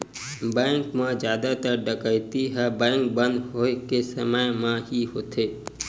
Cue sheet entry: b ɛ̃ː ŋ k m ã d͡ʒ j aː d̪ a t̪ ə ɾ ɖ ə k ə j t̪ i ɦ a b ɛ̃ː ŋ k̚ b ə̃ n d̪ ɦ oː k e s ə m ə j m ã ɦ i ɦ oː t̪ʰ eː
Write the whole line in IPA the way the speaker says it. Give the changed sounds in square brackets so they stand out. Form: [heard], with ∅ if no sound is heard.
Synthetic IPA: b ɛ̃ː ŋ k m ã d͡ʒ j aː d̪ a t̪ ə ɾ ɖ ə k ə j t̪ i ɦ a b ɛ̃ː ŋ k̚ b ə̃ n d̪ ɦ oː k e s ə m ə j m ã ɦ i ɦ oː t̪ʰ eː